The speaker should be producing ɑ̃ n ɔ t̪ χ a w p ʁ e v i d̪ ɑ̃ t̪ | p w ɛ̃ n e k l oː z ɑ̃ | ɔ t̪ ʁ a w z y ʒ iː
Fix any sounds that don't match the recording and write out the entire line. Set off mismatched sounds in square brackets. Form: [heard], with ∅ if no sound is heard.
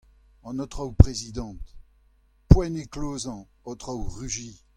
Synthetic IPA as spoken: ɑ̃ n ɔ t̪ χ a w p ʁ e [z] i d̪ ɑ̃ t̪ | p w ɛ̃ n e k l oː z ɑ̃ | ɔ t̪ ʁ a w [ʁ] y ʒ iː